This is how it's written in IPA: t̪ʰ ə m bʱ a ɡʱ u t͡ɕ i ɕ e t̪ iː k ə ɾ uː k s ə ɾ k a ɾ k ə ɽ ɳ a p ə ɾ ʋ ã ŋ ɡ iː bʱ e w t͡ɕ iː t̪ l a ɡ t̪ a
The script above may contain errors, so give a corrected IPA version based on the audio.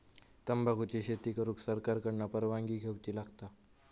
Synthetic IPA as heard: t̪ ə m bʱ a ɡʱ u t͡ɕ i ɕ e t̪ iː k ə ɾ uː k s ə ɾ k a ɾ k ə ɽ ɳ a p ə ɾ ʋ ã ŋ ɡ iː ɡʱ e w t͡ɕ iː l a ɡ t̪ a